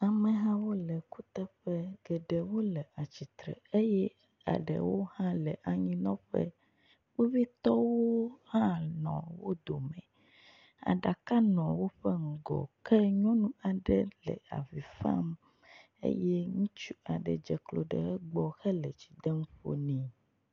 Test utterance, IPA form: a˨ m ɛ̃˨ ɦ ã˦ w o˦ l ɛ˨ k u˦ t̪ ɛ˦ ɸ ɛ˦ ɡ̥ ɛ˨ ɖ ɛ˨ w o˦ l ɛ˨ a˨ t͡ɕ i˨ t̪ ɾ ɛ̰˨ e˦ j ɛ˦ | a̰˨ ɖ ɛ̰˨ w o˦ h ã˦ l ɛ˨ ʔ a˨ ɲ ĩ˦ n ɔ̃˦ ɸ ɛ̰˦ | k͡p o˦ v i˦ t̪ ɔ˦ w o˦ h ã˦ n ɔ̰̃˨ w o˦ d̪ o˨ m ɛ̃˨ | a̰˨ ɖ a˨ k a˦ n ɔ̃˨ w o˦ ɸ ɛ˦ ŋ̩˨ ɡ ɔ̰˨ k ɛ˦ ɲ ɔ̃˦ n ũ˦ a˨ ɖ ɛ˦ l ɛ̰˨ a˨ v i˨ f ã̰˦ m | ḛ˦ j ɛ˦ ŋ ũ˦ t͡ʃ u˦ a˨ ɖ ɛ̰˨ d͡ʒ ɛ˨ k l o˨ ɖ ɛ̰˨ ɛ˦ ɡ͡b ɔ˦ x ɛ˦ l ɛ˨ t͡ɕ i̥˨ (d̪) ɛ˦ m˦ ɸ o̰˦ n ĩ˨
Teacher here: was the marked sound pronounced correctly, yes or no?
yes